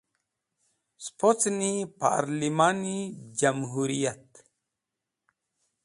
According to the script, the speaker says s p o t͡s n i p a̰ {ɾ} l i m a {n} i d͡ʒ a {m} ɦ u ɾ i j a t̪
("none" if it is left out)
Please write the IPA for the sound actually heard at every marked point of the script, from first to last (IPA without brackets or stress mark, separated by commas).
ɾ, n, m